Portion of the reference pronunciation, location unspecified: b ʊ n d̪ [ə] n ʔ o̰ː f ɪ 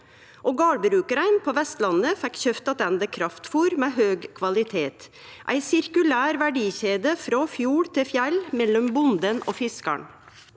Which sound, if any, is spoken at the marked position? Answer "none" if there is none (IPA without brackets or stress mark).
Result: ə